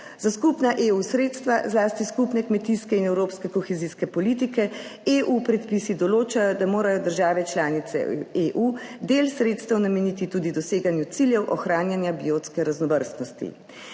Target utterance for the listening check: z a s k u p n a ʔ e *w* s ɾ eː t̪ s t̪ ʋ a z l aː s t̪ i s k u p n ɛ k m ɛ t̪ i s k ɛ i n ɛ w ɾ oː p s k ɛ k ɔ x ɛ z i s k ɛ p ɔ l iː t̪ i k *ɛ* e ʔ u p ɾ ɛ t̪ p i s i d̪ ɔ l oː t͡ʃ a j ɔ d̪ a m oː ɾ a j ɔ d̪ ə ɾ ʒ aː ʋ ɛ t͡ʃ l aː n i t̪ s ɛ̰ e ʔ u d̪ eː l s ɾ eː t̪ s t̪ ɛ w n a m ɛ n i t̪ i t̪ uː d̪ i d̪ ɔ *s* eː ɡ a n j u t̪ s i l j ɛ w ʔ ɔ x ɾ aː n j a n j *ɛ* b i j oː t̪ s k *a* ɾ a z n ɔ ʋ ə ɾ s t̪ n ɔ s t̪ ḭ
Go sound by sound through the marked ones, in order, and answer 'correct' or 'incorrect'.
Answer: incorrect: u, correct, correct, incorrect: a, incorrect: ɛ

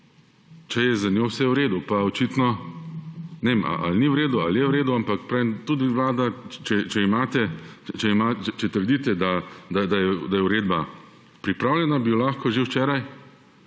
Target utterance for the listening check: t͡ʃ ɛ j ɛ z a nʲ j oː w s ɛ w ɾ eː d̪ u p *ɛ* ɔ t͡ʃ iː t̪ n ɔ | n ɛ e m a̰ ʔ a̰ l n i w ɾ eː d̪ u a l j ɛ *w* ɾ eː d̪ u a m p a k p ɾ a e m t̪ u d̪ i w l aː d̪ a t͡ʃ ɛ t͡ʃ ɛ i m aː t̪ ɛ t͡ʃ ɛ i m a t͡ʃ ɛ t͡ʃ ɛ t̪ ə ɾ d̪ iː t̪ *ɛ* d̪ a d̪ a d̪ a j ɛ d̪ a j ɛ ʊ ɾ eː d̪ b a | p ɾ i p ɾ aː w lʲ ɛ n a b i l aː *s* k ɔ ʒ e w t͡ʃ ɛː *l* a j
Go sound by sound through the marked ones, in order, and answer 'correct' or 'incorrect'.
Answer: incorrect: a, correct, correct, incorrect: x, incorrect: ɾ

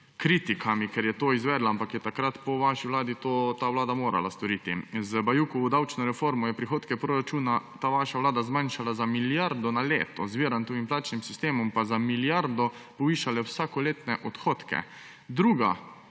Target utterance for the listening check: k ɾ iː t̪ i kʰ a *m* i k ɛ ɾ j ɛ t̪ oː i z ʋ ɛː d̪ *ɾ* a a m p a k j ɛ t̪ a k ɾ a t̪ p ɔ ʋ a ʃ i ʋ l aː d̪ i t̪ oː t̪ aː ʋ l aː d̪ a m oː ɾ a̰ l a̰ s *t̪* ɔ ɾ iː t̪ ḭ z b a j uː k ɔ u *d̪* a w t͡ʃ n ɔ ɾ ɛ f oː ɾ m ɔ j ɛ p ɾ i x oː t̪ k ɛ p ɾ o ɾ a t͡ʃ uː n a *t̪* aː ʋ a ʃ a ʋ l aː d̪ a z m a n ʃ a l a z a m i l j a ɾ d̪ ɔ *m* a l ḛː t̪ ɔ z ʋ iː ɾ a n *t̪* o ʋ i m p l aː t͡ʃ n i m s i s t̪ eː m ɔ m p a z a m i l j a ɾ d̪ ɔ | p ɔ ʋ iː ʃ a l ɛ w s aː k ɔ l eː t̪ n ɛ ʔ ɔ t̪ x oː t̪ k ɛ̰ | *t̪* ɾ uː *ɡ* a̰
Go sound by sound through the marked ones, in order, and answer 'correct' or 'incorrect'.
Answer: correct, incorrect: l, correct, correct, correct, incorrect: n, correct, incorrect: d̪, correct

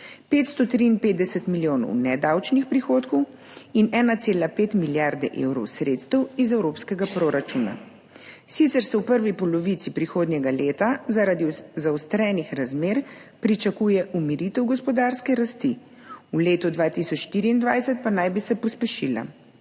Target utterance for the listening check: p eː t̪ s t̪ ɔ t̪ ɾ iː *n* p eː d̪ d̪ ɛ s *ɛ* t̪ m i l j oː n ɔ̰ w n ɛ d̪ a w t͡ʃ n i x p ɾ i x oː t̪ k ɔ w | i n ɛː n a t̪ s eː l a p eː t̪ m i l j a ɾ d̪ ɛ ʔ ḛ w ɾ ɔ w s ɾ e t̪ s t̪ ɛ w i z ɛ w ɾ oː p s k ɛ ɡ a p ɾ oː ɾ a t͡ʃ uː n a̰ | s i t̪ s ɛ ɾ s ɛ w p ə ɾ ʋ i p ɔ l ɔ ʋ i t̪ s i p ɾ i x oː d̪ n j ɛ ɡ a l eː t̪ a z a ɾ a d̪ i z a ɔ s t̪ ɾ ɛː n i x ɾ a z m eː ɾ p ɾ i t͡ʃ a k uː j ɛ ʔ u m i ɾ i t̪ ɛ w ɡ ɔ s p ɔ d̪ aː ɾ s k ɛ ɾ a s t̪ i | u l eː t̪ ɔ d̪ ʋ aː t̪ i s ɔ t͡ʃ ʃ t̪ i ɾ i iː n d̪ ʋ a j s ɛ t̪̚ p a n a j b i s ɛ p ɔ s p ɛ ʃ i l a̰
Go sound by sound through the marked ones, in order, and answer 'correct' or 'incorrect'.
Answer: correct, correct

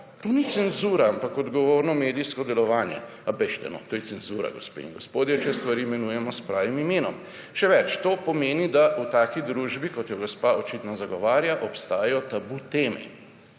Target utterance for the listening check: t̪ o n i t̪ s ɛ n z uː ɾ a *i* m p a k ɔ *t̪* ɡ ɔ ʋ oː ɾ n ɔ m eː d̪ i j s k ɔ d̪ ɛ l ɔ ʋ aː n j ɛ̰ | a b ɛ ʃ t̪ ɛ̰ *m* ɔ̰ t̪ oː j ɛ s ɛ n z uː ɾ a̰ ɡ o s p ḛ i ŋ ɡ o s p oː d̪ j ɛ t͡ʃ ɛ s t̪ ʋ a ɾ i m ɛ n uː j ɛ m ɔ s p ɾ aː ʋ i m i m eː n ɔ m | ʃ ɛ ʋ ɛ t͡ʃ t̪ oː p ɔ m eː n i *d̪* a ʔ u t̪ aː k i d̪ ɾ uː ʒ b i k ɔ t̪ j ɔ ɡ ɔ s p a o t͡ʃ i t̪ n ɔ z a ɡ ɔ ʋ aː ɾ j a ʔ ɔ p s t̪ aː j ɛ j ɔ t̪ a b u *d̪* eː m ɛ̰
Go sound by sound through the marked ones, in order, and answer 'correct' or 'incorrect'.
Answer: incorrect: a, incorrect: d̪, incorrect: n, correct, incorrect: t̪

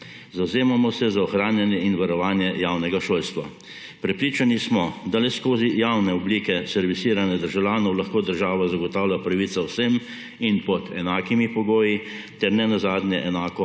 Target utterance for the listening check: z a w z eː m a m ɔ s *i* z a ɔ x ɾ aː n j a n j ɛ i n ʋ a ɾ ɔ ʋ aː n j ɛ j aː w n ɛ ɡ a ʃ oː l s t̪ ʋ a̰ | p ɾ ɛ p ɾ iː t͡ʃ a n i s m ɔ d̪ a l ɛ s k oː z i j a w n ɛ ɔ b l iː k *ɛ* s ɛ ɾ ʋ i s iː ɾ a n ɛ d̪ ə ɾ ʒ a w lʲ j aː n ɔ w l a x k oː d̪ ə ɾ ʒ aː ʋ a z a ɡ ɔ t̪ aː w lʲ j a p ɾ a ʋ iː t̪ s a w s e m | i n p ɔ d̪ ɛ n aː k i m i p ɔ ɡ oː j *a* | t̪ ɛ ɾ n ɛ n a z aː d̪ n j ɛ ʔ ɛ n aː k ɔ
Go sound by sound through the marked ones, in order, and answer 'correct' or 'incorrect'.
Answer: incorrect: ɛ, correct, incorrect: i

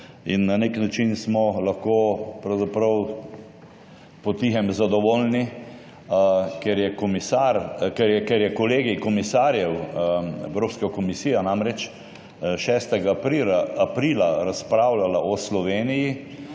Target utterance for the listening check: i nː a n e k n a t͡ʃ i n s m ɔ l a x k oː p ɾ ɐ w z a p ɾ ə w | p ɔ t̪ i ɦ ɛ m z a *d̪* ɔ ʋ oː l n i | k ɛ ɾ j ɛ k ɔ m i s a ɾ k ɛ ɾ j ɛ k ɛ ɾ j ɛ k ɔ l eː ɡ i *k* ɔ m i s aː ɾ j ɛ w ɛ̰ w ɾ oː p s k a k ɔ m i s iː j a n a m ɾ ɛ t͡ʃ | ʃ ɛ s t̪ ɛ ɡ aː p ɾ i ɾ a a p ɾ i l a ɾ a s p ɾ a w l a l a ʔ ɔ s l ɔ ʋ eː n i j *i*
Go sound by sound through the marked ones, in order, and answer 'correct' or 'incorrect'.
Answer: correct, correct, correct

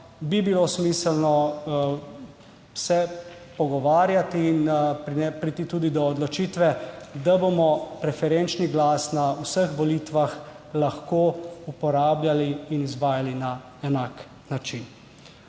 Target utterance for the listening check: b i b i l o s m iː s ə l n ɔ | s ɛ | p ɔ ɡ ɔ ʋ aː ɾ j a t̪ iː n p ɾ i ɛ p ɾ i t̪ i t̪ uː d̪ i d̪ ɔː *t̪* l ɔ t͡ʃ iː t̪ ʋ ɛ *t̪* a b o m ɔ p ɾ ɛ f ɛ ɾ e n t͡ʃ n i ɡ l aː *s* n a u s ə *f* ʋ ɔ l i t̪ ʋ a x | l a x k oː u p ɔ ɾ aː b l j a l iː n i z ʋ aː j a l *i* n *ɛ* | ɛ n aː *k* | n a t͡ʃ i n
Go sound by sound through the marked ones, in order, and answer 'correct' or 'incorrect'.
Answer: incorrect: d̪, incorrect: d̪, correct, incorrect: x, correct, incorrect: a, correct

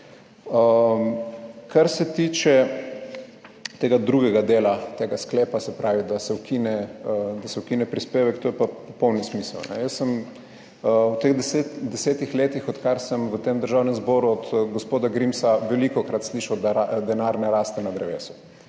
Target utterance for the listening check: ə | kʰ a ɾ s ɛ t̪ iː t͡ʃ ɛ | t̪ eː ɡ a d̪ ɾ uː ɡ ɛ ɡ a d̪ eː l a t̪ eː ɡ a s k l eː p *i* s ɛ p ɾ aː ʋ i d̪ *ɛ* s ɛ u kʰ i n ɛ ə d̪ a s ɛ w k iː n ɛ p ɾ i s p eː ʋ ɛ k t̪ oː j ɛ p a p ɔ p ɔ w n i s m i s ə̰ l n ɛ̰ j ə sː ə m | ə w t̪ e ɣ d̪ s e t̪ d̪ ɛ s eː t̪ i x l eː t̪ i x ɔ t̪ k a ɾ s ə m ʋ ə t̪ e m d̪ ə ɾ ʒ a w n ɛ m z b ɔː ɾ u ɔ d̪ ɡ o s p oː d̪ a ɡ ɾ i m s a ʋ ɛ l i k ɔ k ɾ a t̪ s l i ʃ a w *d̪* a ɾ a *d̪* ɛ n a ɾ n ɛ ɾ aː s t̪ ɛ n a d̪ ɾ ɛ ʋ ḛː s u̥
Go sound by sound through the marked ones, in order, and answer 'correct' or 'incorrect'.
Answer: incorrect: a, incorrect: a, correct, correct

